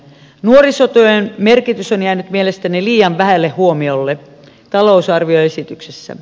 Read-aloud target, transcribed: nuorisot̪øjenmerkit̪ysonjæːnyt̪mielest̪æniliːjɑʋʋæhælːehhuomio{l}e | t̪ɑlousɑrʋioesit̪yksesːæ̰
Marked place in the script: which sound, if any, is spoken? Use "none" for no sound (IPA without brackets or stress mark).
lː